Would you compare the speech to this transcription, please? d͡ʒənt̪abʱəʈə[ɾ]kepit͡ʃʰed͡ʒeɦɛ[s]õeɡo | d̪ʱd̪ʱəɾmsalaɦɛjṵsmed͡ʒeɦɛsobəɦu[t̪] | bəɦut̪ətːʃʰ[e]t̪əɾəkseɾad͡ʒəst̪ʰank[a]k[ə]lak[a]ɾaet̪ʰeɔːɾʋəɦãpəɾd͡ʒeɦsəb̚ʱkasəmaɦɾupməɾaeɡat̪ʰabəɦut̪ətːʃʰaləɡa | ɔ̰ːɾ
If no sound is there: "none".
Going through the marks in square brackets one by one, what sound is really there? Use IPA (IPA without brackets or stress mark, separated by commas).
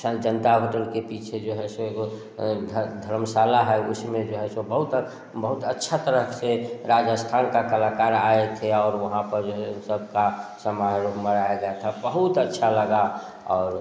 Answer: l, s, t̪, a, a, ə, a